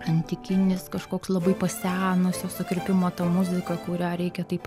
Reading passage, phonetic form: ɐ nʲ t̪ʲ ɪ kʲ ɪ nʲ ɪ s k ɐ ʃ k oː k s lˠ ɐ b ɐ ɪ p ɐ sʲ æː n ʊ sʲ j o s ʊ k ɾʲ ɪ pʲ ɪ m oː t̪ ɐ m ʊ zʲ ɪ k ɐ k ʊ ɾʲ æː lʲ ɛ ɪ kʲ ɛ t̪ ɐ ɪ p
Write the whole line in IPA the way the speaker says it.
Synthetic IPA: ɐ nʲ t̪ʲ ɪ kʲ ɪ nʲ ɪ s k ɐ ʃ k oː k s lˠ ɐ b ɐ ɪ p ɐ sʲ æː n ʊ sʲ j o s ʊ k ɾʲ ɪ pʲ ɪ m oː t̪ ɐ m ʊ zʲ ɪ k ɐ k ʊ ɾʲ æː ɾʲ ɛ ɪ kʲ ɛ t̪ ɐ ɪ p